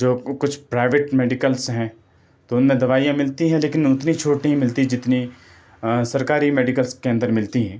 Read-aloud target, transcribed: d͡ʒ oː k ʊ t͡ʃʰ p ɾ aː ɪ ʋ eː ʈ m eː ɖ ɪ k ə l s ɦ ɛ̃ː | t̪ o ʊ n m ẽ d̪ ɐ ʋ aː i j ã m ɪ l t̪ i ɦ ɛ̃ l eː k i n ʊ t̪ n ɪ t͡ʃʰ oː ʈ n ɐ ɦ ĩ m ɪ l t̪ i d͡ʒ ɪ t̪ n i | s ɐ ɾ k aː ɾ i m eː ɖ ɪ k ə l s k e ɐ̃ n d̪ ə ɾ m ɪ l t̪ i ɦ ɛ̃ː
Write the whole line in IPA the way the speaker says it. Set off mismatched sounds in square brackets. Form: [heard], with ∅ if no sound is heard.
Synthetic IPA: d͡ʒ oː k ʊ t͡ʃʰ p ɾ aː ɪ ʋ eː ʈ m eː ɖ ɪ k ə l s ɦ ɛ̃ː | t̪ o ʊ n m ẽ d̪ ɐ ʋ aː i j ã m ɪ l t̪ i ɦ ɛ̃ l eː k [ɪ] n ʊ t̪ n [i] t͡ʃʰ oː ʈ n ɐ ɦ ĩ m ɪ l t̪ i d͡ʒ ɪ t̪ n i | s ɐ ɾ k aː ɾ i m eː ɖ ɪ k ə l s k e ɐ̃ n d̪ ə ɾ m ɪ l t̪ i ɦ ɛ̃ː